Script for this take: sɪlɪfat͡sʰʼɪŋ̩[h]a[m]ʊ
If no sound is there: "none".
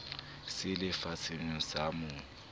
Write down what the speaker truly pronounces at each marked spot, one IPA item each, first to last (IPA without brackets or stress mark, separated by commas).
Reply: s, m